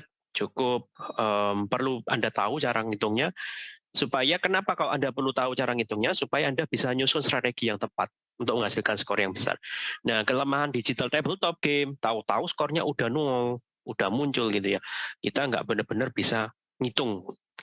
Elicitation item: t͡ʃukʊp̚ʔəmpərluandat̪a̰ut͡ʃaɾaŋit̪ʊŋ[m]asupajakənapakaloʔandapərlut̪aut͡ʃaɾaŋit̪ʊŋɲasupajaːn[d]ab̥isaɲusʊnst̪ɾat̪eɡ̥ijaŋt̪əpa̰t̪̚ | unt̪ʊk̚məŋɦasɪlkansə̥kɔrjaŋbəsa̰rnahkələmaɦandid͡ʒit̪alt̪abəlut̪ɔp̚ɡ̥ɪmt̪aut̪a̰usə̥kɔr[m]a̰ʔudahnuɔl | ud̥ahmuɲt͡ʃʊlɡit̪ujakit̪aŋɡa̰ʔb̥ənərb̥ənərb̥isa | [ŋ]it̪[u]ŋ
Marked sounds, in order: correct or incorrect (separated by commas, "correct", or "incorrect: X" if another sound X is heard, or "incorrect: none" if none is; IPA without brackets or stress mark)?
incorrect: ɲ, correct, incorrect: ɲ, correct, incorrect: ʊ